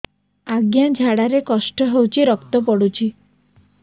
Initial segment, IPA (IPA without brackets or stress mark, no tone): a